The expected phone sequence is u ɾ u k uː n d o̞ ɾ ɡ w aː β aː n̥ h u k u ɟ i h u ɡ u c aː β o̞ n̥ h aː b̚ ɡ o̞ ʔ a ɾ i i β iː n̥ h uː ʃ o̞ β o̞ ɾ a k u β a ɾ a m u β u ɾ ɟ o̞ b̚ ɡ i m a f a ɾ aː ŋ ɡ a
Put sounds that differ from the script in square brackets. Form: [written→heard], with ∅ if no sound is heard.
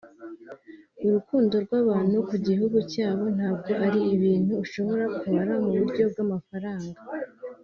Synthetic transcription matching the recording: u ɾ u k uː n d o̞ ɾ ɡ w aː β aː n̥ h u k u ɟ i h u ɡ u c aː β o̞ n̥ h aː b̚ ɡ o̞ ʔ a ɾ i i β iː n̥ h uː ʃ o̞ β o̞ ɾ a k u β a ɾ a m u β u ɾ ɟ o̞ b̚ ɡ [i→a] m a f a ɾ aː ŋ ɡ a